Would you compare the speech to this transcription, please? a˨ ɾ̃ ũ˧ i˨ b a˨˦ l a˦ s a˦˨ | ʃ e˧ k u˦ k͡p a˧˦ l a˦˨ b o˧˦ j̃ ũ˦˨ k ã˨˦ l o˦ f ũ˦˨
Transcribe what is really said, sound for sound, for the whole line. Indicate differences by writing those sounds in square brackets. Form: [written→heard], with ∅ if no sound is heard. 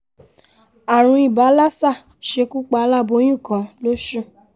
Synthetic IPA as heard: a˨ ɾ̃ ũ˧ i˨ b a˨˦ l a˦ s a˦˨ | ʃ e˧ k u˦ k͡p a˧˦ l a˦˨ b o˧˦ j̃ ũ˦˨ k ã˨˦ l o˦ [f→ʃ] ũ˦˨

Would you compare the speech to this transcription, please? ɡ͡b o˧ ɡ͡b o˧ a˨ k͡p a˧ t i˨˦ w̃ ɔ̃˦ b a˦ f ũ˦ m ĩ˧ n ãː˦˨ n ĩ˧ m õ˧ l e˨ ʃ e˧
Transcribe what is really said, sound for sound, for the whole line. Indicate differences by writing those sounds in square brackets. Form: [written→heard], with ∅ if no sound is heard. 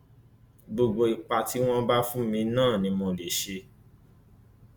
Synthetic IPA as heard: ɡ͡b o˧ ɡ͡b o˧ [a˨→i˨] k͡p a˧ t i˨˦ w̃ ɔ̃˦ b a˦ f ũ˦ m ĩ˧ n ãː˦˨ n ĩ˧ m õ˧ l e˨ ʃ e˧

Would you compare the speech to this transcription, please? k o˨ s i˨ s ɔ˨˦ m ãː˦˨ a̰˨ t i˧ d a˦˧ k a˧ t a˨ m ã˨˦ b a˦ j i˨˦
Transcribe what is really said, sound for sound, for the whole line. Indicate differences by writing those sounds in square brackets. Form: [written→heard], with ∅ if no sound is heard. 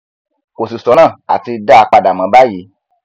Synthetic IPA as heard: k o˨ s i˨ s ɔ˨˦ [m→n] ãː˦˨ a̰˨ t i˧ d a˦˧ [k→k͡p] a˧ [t→d] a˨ m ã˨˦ b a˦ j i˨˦

